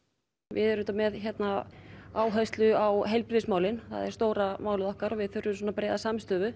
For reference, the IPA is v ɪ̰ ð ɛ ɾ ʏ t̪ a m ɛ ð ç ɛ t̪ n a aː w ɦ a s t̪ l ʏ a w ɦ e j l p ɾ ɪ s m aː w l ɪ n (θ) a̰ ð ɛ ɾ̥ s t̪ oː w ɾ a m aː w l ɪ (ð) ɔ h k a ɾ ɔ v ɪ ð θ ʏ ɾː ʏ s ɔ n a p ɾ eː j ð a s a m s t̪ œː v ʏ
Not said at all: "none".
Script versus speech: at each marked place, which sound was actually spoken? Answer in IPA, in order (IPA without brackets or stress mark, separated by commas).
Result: θ, ð